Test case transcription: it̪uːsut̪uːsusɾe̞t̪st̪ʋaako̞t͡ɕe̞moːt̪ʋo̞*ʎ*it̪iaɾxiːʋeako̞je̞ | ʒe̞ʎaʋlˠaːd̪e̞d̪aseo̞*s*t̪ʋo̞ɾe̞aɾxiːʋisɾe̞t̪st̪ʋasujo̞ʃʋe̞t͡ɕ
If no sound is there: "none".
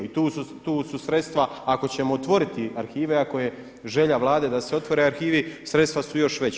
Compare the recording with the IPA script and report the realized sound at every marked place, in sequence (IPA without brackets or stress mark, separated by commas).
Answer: ɾ, none